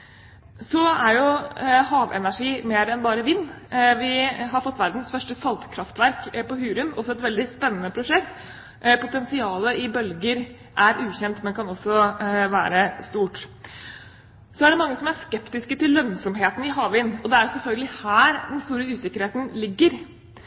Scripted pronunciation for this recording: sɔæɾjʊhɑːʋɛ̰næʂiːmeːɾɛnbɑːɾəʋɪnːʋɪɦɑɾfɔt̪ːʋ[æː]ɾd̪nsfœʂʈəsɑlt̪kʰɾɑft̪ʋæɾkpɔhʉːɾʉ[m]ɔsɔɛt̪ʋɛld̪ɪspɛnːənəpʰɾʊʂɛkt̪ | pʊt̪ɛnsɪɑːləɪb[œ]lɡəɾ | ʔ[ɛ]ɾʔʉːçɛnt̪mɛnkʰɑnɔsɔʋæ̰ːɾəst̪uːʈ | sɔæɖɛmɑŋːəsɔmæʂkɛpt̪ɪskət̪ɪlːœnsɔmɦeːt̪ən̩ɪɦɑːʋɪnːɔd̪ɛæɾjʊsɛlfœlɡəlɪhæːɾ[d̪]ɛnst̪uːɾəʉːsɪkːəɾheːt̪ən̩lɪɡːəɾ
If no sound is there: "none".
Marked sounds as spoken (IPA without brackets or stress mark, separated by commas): æ, m, œ, æ, d̪